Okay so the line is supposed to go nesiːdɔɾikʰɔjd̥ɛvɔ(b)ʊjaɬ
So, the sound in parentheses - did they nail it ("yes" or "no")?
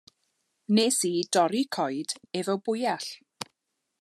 yes